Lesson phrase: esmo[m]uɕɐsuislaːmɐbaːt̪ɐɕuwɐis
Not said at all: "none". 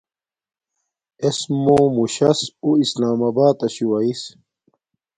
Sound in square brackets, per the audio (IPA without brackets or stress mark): m